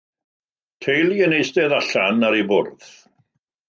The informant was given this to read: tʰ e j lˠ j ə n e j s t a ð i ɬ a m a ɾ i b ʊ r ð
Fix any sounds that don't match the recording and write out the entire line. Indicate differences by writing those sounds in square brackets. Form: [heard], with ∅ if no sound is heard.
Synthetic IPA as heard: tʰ e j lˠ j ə n e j s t [ɛ] ð [a] ɬ a [n] a ɾ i b ʊ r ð